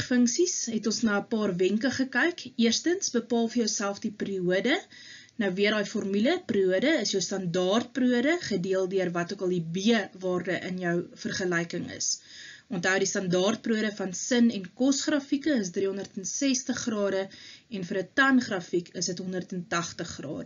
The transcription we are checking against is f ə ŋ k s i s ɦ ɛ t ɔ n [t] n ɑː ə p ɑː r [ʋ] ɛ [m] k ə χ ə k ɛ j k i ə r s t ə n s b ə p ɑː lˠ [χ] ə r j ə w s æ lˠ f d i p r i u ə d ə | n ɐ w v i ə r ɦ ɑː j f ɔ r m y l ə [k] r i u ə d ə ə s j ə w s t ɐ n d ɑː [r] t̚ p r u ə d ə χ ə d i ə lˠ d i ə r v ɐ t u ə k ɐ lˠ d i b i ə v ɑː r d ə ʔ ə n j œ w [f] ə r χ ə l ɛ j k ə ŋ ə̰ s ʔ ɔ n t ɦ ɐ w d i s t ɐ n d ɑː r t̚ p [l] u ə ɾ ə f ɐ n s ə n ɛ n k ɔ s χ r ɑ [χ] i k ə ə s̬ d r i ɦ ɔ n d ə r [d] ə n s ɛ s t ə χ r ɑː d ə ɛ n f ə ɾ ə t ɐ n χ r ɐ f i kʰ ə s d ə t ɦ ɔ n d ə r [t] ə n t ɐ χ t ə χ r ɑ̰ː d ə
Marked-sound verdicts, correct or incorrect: incorrect: s, incorrect: v, incorrect: ŋ, incorrect: f, incorrect: p, correct, correct, incorrect: r, incorrect: f, incorrect: t, correct

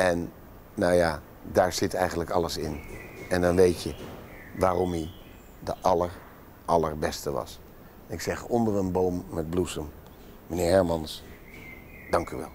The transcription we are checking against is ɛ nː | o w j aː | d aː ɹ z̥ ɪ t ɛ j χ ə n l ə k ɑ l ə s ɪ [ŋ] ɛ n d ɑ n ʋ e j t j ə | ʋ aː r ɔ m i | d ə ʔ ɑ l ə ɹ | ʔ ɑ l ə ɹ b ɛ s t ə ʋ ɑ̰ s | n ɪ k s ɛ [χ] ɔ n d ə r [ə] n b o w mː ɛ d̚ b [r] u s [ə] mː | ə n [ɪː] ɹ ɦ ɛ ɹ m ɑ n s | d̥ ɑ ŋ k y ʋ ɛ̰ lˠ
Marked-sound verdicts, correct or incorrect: incorrect: n, correct, correct, incorrect: l, correct, correct

